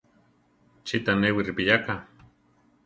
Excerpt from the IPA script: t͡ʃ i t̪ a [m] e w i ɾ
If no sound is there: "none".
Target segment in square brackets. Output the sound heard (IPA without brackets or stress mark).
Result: n